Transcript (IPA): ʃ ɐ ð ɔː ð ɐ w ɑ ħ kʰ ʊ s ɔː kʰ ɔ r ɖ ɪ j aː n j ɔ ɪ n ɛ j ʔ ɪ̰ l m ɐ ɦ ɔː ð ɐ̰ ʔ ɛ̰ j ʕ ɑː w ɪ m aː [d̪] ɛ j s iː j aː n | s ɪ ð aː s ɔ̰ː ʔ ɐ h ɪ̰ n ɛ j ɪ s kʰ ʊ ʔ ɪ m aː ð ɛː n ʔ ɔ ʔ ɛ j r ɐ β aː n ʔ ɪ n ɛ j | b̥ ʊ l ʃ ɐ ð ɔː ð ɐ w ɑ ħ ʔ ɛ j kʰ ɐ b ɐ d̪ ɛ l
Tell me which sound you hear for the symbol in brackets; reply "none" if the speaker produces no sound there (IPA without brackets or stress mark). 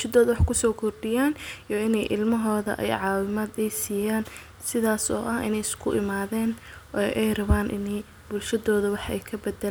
d̪